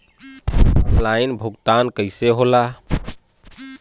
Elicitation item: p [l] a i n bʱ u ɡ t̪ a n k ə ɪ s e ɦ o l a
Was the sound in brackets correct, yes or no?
yes